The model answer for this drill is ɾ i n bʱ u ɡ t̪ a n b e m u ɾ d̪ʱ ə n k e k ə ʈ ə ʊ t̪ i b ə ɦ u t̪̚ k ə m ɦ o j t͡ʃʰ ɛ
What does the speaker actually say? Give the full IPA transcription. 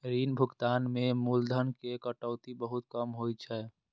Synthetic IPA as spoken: ɾ i n bʱ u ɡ t̪ a n m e m u l d̪ʱ ə n k e k ə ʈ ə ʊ t̪ i b ə ɦ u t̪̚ k ə m ɦ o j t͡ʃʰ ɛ